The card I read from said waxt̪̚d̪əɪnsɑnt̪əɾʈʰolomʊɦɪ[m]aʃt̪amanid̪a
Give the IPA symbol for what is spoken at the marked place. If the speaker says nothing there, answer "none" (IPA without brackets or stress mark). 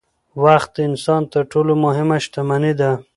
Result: m